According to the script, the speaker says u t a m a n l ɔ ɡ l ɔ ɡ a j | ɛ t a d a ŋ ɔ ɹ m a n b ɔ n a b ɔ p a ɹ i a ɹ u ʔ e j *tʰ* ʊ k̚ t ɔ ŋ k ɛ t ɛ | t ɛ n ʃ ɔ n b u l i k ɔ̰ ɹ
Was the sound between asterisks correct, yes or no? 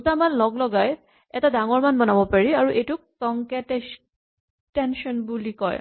no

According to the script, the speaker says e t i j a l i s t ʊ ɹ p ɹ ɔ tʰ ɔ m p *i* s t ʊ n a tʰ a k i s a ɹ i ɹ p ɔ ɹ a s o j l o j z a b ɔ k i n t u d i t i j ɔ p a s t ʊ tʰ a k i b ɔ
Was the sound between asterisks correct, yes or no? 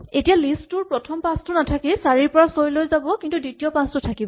no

